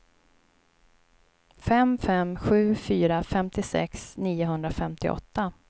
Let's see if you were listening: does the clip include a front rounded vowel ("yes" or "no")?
yes